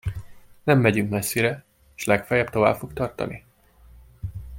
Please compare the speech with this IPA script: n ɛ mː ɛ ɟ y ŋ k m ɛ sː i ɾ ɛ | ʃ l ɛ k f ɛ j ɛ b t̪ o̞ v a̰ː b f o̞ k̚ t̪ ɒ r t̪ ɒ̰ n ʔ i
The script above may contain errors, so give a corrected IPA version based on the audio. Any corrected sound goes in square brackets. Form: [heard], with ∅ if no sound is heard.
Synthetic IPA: n ɛ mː ɛ ɟ y ŋ k m ɛ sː i ɾ ɛ | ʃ l ɛ k f ɛ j ɛ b t̪ o̞ v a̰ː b f o̞ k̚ t̪ ɒ r t̪ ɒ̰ n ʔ i